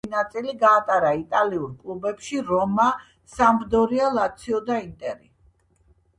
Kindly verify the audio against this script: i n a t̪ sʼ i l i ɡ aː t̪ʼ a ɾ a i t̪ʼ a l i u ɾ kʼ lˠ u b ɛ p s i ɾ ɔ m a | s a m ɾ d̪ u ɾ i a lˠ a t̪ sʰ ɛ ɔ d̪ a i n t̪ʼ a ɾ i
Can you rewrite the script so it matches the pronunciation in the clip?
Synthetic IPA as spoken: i n a t̪ sʼ i l i ɡ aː t̪ʼ a ɾ a i t̪ʼ a l i u ɾ kʼ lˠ u b ɛ p ʃ i ɾ ɔ m a | s a m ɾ d̪ ɔ ɾ i a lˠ a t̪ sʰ i ɔ d̪ a i n t̪ʼ ɛ ɾ i